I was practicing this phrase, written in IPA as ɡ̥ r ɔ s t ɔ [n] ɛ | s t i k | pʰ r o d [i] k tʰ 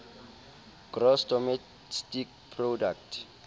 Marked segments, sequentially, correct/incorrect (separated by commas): incorrect, incorrect